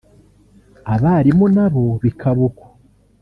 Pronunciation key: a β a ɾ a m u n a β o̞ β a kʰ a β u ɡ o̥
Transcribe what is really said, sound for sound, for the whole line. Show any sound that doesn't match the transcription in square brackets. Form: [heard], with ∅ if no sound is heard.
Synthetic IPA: a β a ɾ [i] m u n a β o̞ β [i] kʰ a β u [k] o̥